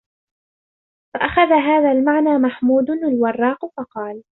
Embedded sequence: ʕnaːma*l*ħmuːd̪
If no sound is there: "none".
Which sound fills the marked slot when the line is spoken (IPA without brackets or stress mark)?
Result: none